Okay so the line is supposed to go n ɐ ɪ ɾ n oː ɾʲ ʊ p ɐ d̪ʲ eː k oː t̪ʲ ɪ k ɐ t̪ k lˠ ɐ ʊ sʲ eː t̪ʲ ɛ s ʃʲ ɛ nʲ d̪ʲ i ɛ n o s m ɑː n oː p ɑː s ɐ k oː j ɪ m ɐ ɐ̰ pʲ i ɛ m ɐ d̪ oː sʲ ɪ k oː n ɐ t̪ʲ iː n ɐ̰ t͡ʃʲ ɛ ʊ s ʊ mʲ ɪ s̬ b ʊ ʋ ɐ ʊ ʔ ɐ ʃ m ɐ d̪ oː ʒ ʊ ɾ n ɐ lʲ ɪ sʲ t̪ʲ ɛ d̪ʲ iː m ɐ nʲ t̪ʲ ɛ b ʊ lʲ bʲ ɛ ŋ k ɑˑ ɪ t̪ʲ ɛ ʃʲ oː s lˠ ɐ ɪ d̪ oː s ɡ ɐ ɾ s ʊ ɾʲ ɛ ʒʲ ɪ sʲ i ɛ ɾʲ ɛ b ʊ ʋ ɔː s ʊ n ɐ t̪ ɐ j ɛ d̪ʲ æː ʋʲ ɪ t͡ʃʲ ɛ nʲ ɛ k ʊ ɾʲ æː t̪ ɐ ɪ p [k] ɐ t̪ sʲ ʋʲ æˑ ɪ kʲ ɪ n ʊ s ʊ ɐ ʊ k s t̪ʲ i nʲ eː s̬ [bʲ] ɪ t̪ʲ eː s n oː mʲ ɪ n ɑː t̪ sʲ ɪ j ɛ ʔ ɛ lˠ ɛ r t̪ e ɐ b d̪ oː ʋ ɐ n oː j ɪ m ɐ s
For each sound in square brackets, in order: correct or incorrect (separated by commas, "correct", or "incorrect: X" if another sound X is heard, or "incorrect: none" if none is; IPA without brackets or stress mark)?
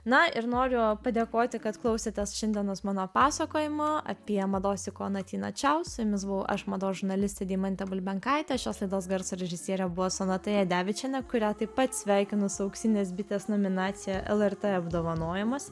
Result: incorrect: p, correct